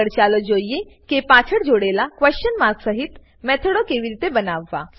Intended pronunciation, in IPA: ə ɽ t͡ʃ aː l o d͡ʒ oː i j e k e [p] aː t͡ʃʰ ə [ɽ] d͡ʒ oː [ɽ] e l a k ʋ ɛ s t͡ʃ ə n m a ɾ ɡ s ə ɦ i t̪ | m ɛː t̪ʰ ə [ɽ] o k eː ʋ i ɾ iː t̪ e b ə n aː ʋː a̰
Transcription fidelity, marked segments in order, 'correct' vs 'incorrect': correct, correct, correct, correct

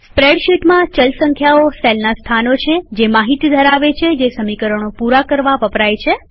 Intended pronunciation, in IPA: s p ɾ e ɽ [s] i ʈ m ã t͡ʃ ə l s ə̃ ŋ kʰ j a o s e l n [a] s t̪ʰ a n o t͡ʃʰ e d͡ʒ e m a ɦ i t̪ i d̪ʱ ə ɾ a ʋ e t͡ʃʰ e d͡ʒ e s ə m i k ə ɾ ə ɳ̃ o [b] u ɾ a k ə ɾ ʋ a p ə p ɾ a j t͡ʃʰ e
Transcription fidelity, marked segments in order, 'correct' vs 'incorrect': incorrect, correct, incorrect

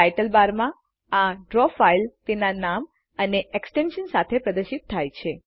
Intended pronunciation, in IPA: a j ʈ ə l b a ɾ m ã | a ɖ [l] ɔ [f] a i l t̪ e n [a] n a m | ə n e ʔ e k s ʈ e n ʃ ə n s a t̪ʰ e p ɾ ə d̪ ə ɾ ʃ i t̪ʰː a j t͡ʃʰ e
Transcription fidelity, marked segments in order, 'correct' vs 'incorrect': incorrect, correct, correct

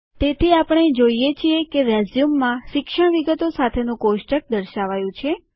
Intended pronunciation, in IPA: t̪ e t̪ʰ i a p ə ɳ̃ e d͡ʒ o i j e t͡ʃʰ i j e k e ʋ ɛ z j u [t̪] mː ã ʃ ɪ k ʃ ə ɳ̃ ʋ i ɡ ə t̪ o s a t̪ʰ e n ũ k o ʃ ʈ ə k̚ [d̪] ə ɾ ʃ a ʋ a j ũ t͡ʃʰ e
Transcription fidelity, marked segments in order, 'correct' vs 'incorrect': incorrect, correct

